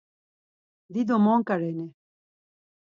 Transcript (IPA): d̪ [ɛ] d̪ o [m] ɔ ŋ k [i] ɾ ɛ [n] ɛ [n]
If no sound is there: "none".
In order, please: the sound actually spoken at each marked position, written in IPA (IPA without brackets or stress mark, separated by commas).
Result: i, m, a, n, none